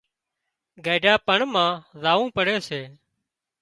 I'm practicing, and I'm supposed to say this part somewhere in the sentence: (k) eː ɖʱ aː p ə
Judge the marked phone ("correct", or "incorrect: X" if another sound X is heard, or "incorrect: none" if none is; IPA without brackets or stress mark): incorrect: ɡ